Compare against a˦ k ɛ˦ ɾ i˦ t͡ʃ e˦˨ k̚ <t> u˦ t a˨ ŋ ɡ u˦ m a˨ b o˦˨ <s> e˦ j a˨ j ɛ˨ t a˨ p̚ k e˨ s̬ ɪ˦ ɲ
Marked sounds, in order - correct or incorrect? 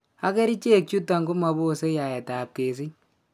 incorrect, correct

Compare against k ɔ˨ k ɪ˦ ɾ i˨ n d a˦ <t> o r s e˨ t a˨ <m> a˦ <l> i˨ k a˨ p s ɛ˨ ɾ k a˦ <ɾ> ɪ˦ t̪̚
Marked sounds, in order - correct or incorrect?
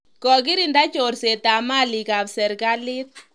incorrect, correct, correct, incorrect

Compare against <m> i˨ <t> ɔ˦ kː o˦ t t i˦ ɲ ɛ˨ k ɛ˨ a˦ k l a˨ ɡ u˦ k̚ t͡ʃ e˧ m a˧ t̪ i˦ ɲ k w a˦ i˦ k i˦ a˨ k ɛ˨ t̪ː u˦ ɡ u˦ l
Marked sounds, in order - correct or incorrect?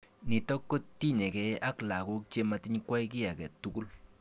incorrect, correct

